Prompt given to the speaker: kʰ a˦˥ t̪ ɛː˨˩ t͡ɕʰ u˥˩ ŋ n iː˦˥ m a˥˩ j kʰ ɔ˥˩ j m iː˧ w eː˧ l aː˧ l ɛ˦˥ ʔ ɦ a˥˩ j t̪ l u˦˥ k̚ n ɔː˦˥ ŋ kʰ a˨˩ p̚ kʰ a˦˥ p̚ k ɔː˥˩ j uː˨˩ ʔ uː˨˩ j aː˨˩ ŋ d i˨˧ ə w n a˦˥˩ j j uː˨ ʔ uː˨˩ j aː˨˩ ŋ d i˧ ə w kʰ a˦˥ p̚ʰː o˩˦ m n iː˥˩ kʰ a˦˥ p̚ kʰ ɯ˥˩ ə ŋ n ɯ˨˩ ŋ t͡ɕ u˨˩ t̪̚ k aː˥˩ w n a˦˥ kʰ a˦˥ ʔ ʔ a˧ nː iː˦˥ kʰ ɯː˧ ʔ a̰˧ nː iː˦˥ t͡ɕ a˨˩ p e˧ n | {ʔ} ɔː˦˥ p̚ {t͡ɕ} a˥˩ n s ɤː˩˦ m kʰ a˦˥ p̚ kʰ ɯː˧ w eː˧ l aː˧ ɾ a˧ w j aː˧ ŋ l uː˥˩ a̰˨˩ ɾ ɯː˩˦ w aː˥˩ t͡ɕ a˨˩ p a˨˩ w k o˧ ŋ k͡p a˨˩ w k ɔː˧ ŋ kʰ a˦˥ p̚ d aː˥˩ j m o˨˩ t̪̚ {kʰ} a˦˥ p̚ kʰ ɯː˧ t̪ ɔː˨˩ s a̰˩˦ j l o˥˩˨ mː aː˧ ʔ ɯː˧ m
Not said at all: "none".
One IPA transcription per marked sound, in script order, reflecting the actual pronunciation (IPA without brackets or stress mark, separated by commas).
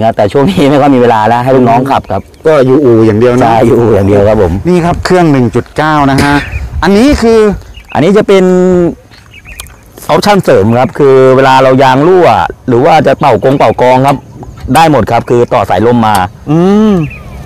ʔ, t͡ɕʰ, kʰ